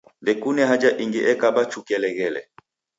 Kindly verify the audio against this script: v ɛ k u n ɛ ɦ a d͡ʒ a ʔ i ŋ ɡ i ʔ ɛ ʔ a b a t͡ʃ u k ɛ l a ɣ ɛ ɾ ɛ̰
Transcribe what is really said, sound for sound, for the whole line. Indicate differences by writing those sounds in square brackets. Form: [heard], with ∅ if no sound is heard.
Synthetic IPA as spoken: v ɛ k u n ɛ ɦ a d͡ʒ a ʔ i ŋ ɡ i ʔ ɛ [k] a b a t͡ʃ u k ɛ l [ɛ] ɣ ɛ [l] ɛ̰